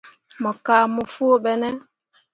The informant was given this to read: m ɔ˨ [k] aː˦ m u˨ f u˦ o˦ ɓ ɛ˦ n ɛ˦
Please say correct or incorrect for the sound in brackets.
correct